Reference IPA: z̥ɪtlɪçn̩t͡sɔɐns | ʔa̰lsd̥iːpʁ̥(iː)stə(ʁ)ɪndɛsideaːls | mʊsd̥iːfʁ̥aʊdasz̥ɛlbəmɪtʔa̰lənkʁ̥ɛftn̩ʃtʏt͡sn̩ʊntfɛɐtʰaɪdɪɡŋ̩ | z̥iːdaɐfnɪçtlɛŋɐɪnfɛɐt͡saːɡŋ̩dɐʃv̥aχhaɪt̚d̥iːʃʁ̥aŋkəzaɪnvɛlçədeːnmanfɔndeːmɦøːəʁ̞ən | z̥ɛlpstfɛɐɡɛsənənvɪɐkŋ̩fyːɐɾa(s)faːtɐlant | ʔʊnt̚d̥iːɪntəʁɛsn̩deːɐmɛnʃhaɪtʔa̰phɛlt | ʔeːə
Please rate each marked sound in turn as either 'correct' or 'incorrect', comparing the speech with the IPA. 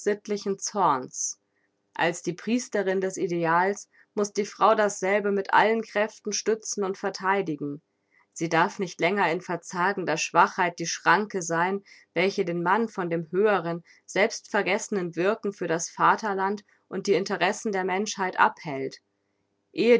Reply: correct, correct, correct

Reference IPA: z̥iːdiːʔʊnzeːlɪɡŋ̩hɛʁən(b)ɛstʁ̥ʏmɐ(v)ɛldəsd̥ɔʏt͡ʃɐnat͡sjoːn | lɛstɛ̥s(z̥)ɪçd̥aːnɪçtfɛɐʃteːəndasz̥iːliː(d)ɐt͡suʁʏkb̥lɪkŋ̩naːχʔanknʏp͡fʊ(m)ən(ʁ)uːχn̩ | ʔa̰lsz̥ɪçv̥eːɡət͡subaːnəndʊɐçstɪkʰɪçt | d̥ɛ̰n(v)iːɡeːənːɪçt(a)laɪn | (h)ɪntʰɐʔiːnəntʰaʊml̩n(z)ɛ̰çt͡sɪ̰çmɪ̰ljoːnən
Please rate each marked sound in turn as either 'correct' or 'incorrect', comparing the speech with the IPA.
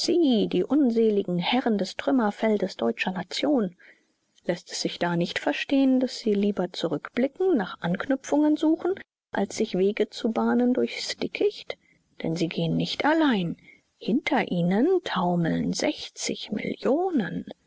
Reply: incorrect: d, incorrect: f, correct, incorrect: b, incorrect: ŋ, incorrect: z, incorrect: z, correct, correct, correct

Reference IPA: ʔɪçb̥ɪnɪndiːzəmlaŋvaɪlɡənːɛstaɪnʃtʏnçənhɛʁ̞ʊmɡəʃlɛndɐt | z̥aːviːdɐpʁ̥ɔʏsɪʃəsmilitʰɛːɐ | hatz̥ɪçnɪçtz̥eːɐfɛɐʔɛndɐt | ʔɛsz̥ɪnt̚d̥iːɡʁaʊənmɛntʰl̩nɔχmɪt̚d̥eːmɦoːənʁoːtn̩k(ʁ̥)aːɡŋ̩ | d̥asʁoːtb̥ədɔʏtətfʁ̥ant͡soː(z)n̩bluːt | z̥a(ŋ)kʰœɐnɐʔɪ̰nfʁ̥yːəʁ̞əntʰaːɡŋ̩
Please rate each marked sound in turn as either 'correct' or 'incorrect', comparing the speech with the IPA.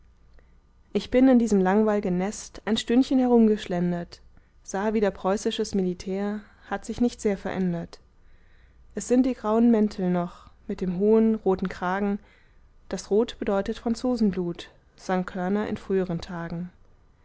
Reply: correct, correct, correct

